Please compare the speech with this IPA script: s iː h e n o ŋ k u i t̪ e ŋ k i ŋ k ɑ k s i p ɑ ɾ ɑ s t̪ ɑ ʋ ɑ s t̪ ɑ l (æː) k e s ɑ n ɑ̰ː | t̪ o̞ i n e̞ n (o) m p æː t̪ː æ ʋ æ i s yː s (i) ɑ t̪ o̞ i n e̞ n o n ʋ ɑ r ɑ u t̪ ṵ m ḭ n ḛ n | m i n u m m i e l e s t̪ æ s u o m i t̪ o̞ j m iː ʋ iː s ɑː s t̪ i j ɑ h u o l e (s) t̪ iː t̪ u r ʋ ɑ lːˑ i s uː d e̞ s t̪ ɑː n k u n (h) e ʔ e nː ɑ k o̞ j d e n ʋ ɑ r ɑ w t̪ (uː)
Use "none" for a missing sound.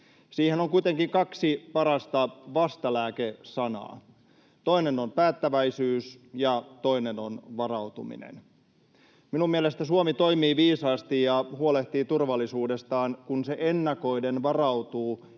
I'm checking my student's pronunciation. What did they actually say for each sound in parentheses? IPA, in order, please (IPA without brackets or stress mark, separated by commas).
æː, o, j, h, s, uː